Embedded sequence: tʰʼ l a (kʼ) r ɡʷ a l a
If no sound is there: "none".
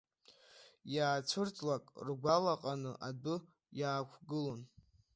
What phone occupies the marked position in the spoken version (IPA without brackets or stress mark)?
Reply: kʼ